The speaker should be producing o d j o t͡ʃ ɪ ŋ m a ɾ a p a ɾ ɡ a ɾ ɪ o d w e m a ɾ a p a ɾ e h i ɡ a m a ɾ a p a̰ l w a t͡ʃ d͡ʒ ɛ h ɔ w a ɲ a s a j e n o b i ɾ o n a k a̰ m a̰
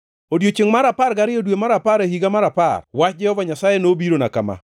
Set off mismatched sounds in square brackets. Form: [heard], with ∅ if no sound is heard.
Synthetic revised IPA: o d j o t͡ʃ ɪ ŋ m a ɾ a p a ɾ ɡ a ɾ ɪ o d w e m a ɾ a p a ɾ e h i ɡ a m a ɾ a p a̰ [r] w a t͡ʃ d͡ʒ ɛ h ɔ [v] a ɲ a s a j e n o b i ɾ o n a k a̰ m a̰